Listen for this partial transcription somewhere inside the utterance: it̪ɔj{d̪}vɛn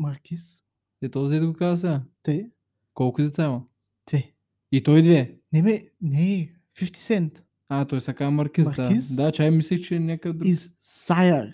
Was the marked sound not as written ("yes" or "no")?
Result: no